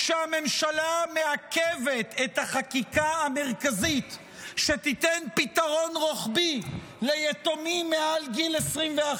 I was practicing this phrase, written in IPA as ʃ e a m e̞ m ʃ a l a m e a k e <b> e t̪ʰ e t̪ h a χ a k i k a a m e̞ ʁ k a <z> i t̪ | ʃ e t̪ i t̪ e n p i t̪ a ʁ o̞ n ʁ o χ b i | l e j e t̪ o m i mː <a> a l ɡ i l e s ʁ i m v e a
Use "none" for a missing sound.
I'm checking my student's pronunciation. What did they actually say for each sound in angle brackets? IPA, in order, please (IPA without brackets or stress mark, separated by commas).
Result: v, z, e